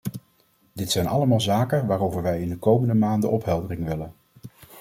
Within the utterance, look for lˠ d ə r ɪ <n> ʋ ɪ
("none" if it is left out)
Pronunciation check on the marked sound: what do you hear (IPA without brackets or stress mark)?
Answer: ŋ